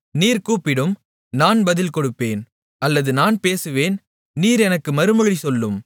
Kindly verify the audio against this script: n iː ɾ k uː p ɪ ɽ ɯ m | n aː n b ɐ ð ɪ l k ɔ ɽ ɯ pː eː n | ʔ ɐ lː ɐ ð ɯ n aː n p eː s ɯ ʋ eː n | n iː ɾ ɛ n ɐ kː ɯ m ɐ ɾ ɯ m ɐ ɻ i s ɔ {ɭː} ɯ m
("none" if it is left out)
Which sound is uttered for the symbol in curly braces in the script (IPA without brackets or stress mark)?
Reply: lː